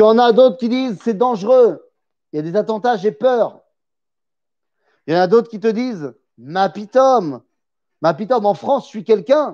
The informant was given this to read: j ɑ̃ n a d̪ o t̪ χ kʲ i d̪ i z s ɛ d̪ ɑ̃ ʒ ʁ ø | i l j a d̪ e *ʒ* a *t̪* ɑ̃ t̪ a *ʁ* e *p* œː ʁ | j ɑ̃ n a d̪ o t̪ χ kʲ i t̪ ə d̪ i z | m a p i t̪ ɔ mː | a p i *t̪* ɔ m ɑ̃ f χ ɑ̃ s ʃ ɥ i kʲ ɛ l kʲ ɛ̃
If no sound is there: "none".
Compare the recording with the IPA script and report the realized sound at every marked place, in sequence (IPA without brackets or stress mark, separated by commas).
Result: z, t̪, ʒ, p, t̪